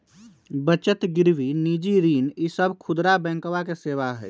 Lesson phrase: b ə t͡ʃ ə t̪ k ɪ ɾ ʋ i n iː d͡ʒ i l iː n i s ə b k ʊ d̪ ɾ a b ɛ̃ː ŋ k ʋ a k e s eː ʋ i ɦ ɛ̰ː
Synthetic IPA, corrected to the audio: b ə t͡ʃ ə t̪ ɡ ɪ ɾ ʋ i n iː d͡ʒ i ɾ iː n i s ə b kʰ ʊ d̪ ɾ a b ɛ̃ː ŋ k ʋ a k e s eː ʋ a ɦ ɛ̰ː

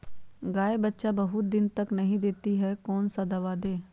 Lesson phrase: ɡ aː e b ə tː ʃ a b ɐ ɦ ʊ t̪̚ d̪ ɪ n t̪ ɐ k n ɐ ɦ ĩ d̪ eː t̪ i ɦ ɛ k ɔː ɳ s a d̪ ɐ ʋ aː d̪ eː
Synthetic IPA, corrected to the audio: ɡ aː e b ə tː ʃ a b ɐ ɦ ʊ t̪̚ d̪ ɪ n t̪ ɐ k n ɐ ɦ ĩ d̪ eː t̪ i ɦ ɛ k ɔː n s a d̪ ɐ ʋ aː d̪ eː

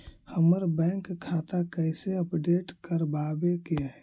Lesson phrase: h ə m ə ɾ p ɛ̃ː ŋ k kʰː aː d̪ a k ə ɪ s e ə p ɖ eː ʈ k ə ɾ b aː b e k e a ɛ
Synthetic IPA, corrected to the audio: h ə m ə ɾ b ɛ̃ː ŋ k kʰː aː t̪ a k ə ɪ s e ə p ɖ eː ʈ k ə ɾ b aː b e k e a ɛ

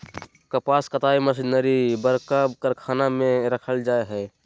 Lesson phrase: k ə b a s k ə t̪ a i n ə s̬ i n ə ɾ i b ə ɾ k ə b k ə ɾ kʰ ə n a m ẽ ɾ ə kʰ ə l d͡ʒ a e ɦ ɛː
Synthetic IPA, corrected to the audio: k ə p a s k ə t̪ a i m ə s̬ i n ə ɾ i b ə ɾ k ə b k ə ɾ kʰ a n a m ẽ ɾ ə kʰ ə l d͡ʒ a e ɦ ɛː

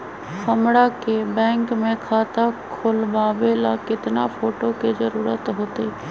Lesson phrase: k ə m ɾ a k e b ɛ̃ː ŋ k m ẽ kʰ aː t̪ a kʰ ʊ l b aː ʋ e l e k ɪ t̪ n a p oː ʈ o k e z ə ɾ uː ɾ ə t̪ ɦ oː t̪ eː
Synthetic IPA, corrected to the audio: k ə m ɽ a k e b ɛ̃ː ŋ k m ẽ kʰ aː t̪ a kʰ ʊ l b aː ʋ e l a k ɪ t̪ n a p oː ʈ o k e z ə ɾ uː ɾ ə t̪ ɦ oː t̪ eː

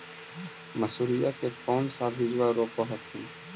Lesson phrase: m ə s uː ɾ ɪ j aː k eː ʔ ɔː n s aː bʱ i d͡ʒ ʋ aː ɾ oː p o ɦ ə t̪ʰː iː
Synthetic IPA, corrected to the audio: m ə s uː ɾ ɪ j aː k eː k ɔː n s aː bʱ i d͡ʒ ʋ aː ɾ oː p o ɦ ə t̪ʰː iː

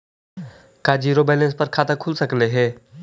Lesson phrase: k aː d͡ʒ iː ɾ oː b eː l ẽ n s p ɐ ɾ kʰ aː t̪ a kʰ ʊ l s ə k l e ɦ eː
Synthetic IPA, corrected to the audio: k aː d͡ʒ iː ɾ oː b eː l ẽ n s p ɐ ɾ kʰ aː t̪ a kʰ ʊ l s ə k l e ɦ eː

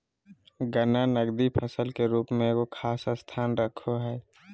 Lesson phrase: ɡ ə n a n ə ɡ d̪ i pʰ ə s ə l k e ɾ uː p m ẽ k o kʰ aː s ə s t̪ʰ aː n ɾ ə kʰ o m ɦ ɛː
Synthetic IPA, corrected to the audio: ɡ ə n a n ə ɡ d̪ i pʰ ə s ə l k e ɾ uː p m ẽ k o kʰ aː s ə s t̪ʰ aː n ɾ ə kʰ o ɦ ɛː

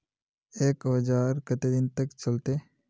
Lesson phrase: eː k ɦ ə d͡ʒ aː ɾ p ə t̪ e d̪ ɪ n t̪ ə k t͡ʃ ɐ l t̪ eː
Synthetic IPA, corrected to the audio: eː k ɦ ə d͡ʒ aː ɾ k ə t̪ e d̪ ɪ n t̪ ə k t͡ʃ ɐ l t̪ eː

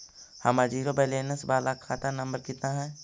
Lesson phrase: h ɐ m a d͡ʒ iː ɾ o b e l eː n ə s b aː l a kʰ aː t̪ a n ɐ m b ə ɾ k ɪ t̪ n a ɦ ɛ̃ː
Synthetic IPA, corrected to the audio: h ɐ m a d͡ʒ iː ɾ o b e l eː n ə s b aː l a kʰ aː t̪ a n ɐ m b ə ɾ k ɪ t̪ n a ɦ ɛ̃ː

